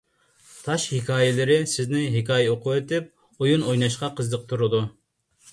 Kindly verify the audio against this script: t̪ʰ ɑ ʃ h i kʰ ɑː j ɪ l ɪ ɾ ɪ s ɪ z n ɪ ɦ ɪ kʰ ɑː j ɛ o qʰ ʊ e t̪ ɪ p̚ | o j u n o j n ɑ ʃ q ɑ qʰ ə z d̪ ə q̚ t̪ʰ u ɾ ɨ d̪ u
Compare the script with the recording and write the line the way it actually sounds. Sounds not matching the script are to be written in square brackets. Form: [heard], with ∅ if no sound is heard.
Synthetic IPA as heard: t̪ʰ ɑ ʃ h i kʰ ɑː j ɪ l ɪ ɾ ɪ s ɪ z n ɪ ɦ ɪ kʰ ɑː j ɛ o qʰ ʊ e t̪ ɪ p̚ | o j u n o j n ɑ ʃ q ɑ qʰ ə z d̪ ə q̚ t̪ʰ u ɾ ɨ d̪ u

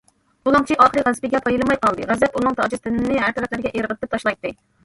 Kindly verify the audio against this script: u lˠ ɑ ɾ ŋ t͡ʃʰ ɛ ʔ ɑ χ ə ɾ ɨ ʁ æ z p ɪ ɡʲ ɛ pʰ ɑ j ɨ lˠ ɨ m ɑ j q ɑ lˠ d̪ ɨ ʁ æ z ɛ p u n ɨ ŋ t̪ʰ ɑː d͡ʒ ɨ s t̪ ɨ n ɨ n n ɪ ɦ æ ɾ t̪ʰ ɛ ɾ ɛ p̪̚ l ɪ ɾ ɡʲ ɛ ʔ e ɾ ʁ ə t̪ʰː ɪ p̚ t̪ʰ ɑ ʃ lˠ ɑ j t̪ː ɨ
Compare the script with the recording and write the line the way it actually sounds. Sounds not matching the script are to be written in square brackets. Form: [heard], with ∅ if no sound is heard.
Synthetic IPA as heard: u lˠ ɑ [∅] ŋ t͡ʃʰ [i] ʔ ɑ χ ə ɾ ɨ ʁ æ z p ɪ ɡʲ ɛ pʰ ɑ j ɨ lˠ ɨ m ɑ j q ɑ lˠ d̪ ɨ ʁ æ z ɛ p u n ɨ ŋ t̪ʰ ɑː d͡ʒ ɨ s t̪ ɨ n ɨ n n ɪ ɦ æ ɾ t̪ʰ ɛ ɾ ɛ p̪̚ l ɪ ɾ ɡʲ ɛ ʔ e ɾ ʁ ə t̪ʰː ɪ p̚ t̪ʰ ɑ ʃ lˠ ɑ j t̪ː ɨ

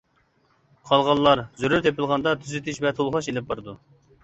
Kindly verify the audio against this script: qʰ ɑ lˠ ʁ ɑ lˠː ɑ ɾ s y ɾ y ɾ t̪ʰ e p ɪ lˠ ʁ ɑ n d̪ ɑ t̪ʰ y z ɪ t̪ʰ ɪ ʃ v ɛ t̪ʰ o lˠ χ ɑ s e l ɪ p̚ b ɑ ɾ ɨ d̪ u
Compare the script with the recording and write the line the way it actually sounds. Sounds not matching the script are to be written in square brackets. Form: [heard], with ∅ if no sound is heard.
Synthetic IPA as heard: qʰ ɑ lˠ ʁ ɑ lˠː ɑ ɾ [z] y ɾ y ɾ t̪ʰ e p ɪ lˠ ʁ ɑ n d̪ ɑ t̪ʰ y z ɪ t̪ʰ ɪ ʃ v ɛ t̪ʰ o lˠ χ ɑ [ʃ] e l ɪ p̚ b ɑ ɾ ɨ d̪ u

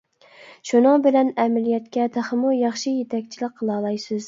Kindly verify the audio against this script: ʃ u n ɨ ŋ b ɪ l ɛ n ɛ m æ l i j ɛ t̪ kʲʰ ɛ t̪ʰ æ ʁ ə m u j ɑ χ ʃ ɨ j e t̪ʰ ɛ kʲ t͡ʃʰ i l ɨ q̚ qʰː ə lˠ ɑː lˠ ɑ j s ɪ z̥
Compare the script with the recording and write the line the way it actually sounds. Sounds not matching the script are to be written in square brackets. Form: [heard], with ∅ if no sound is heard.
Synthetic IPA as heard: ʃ u n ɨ ŋ b ɪ l ɛ n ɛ m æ l i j ɛ t̪ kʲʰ ɛ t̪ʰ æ [χ] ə m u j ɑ χ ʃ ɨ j e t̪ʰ ɛ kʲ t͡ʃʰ i l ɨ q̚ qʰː ə lˠ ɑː lˠ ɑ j s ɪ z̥

